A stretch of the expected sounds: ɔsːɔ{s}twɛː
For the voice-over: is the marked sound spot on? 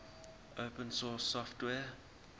no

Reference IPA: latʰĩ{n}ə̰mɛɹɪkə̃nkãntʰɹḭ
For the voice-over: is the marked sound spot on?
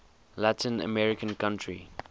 yes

